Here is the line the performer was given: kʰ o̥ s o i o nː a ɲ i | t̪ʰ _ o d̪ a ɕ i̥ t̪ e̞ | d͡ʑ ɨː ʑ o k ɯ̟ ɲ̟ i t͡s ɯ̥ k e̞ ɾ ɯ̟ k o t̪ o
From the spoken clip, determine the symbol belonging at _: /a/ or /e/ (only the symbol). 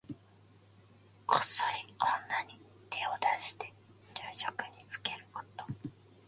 e